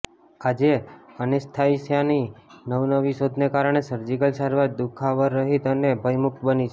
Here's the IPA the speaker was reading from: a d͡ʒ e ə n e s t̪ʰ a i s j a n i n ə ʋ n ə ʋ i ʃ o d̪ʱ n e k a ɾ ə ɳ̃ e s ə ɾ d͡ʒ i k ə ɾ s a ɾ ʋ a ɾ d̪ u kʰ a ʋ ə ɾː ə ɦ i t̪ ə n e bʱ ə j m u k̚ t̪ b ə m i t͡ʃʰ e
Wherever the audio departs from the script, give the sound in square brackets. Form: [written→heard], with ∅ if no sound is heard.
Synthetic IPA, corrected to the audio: a d͡ʒ e ə n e s t̪ʰ a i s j a n i n ə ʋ n ə ʋ i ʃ o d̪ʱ n e k a ɾ ə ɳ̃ e s ə ɾ d͡ʒ i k ə [ɾ→l] s a ɾ ʋ a ɾ d̪ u kʰ a ʋ ə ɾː ə ɦ i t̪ ə n e bʱ ə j m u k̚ t̪ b ə [m→n] i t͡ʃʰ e